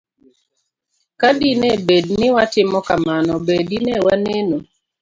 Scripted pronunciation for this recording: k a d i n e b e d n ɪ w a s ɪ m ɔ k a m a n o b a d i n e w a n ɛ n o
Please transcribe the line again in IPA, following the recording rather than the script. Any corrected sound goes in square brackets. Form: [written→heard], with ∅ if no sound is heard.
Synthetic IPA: k a d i n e b e d n ɪ w a [s→t] ɪ m ɔ k a m a n [o→ɔ] b [a→e] d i n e w a n [ɛ→e] n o